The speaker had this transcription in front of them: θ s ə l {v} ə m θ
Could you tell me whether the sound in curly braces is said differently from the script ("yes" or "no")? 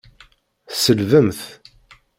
no